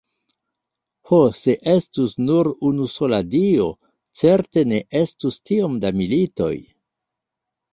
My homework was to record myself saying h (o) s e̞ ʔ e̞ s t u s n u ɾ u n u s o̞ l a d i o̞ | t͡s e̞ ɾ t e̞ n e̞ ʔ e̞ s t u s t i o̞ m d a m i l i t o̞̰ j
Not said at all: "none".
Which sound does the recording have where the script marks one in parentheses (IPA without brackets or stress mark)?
o